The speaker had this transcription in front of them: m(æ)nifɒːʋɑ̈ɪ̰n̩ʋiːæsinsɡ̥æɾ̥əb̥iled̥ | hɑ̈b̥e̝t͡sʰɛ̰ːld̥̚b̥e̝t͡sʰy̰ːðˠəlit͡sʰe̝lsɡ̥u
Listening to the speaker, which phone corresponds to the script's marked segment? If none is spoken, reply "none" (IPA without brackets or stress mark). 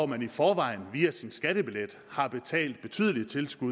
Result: æ